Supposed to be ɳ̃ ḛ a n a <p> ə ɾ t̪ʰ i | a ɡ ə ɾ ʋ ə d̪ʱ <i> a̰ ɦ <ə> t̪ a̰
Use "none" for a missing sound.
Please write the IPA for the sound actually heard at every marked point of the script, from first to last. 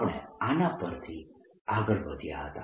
p, j, ə

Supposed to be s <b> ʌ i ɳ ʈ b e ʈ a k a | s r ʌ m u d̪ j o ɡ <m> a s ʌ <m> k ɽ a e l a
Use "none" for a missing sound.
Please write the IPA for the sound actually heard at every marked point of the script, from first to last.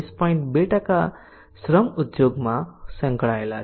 p, m, ŋ

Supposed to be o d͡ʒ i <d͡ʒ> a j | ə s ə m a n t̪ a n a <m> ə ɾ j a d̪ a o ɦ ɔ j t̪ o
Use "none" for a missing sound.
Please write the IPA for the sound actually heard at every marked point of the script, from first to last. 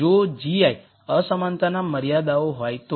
none, m

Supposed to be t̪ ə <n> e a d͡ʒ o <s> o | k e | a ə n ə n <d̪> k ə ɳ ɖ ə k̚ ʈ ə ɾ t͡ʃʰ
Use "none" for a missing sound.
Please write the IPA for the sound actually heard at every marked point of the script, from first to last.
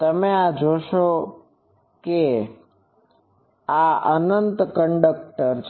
m, ʃ, t̪

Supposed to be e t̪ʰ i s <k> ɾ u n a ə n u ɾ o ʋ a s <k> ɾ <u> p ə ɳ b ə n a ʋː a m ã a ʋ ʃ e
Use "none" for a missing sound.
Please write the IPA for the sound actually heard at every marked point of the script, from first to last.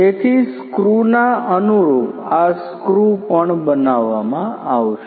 k, k, u

